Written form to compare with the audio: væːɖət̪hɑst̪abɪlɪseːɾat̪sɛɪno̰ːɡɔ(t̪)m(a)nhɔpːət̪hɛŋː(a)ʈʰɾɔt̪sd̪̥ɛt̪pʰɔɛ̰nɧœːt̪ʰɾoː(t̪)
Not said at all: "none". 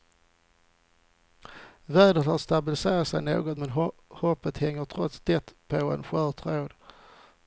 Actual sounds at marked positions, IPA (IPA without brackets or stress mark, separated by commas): t̪, ɛ, ə, d̪